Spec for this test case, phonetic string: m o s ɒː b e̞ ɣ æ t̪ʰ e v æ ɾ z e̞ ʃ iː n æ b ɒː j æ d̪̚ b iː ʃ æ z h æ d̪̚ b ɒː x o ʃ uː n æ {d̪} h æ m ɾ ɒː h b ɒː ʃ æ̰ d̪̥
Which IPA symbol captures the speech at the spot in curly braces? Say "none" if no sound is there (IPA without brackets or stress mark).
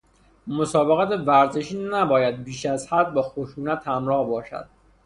t̪